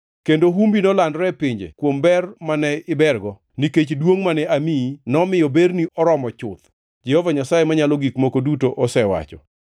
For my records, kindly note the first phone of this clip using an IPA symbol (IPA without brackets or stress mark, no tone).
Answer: k